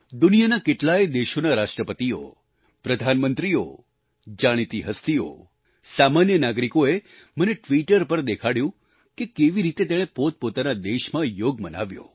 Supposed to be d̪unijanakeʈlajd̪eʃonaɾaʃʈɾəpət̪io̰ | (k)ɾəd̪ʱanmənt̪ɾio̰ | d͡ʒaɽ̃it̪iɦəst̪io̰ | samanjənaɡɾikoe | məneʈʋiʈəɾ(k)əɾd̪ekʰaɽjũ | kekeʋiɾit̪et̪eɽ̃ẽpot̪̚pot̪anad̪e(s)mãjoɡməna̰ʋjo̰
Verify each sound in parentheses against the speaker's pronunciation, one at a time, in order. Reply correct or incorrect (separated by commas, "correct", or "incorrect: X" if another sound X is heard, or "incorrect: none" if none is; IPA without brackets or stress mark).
incorrect: p, incorrect: p, incorrect: ʃ